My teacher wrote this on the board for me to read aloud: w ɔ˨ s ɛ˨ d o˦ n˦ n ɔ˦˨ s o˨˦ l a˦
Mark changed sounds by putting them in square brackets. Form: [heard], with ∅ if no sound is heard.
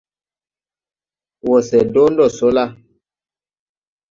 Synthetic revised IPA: w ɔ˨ s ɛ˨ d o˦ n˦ [d] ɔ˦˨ s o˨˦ l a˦